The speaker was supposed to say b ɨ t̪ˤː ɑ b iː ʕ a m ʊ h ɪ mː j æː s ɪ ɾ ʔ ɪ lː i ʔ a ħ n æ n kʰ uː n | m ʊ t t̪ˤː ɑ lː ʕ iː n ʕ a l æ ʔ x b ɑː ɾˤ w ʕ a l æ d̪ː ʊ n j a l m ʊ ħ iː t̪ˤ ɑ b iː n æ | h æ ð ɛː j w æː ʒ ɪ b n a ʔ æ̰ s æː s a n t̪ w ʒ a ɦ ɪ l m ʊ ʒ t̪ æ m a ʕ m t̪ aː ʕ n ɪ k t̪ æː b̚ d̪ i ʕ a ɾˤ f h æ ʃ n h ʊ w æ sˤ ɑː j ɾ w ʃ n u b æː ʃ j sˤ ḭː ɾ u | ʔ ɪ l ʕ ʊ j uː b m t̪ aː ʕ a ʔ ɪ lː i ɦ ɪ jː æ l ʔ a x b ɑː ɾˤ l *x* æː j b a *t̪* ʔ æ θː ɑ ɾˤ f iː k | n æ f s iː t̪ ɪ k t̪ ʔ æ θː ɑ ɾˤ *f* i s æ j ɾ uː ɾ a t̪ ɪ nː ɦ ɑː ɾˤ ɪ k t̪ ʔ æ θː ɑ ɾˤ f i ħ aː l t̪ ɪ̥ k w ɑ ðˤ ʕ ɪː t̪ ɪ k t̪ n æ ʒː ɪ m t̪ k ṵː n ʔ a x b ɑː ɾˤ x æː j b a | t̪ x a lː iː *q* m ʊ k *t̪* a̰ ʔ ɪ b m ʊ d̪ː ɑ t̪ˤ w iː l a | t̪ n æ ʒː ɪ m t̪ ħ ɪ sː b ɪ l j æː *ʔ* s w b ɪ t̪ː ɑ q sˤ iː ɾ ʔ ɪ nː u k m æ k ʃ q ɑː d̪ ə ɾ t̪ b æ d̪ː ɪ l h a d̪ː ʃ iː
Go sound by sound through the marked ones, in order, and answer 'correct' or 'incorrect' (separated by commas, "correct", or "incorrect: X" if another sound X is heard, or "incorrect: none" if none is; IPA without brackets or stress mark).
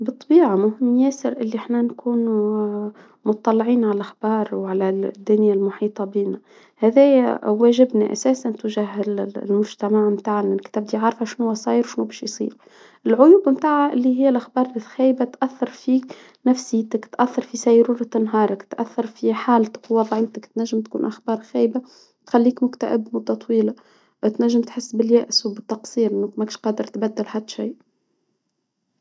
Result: correct, correct, correct, incorrect: k, correct, correct